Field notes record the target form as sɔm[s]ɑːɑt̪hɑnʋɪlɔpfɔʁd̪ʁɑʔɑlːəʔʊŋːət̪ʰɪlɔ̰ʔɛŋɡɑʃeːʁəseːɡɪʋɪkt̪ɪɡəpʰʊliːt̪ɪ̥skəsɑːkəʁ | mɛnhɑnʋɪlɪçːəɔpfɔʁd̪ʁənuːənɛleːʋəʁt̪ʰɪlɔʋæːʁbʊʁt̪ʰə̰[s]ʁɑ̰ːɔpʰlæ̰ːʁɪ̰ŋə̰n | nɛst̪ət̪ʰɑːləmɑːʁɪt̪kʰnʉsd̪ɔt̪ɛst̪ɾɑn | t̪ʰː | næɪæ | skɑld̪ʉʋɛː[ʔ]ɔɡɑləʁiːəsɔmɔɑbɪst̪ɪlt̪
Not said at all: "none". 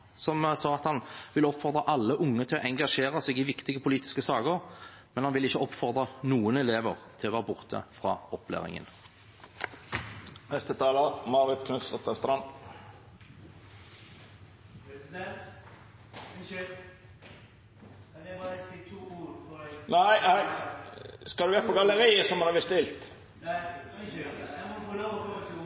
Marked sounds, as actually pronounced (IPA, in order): s, f, p

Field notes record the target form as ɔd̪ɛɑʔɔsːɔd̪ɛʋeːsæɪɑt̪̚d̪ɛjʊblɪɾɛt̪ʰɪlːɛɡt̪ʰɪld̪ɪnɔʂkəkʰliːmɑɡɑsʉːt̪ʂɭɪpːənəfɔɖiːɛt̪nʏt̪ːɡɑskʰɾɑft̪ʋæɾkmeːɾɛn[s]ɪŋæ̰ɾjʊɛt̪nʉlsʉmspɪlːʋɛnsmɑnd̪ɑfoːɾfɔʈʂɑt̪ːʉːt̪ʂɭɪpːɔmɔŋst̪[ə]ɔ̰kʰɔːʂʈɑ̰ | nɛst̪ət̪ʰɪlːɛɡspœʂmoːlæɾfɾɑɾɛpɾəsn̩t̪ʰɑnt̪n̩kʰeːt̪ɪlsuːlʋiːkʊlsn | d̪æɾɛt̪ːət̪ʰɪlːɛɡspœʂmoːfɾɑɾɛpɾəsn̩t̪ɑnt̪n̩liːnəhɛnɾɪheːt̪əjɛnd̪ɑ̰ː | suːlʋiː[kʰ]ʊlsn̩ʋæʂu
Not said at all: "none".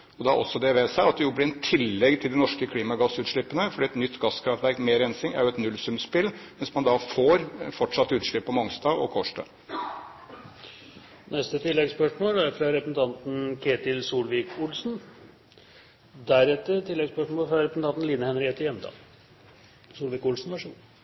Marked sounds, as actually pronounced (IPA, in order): s, ɑ, k

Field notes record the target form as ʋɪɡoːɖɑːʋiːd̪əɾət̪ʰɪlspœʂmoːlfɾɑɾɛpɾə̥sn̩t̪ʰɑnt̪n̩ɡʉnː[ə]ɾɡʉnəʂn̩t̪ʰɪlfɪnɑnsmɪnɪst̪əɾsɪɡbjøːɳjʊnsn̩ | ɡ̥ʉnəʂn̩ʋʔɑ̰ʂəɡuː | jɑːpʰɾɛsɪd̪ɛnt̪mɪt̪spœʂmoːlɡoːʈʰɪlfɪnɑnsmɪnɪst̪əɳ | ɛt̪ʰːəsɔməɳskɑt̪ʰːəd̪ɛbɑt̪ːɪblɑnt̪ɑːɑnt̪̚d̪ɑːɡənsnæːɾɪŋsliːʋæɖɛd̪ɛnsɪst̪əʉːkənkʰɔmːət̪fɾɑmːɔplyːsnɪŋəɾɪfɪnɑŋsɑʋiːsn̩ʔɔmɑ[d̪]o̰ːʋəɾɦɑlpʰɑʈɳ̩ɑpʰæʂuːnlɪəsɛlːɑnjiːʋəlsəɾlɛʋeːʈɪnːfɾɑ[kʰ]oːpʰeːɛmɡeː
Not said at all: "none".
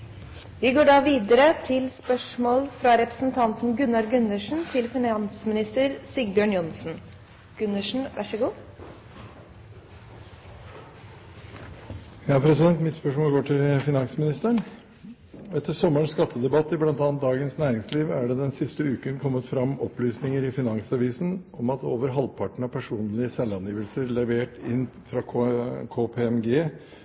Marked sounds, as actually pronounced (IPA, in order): ɑ, t̪, kʰ

